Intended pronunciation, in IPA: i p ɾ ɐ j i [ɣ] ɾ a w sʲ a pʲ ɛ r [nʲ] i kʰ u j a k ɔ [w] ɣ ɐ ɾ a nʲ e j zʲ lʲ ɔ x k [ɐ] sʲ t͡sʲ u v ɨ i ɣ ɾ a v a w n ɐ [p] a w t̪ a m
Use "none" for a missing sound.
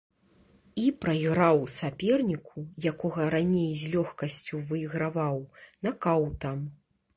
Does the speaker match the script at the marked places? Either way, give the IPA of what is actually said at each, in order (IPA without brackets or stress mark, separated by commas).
ɣ, nʲ, none, ɐ, k